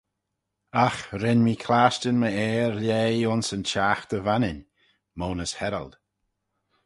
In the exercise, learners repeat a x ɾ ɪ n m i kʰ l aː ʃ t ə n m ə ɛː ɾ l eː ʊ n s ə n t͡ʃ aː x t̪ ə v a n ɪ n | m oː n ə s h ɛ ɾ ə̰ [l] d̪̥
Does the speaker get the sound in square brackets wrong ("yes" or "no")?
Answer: no